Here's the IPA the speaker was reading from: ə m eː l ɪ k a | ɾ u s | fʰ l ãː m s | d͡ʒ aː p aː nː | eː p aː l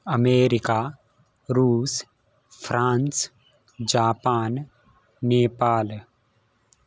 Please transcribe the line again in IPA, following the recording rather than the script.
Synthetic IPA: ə m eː ɾ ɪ k a | ɾ uː s | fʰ ɾ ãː n s | d͡ʒ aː p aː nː | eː p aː l